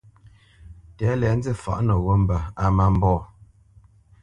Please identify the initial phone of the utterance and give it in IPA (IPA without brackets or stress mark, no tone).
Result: t